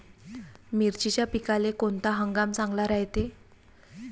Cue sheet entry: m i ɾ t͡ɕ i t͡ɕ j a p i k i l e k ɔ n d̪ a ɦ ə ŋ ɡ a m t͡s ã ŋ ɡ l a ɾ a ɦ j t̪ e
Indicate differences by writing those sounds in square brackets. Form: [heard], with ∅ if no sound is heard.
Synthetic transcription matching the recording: m i ɾ t͡ɕ i t͡ɕ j a p i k [a] l e k [o] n [t̪] a ɦ ə ŋ ɡ a m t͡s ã ŋ ɡ l a ɾ a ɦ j t̪ e